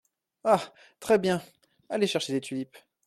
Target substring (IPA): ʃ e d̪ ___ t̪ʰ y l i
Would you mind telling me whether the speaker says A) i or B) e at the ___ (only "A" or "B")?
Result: B